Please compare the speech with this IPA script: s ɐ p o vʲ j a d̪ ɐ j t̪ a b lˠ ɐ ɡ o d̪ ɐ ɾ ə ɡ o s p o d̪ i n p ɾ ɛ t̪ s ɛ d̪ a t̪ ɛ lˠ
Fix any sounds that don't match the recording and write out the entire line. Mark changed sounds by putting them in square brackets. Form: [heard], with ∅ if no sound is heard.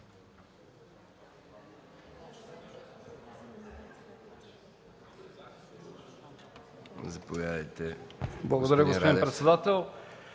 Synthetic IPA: [z] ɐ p o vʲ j a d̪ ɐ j t̪ [ɛ] b lˠ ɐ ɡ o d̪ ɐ ɾ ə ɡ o s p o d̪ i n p ɾ ɛ t̪ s ɛ d̪ a t̪ ɛ lˠ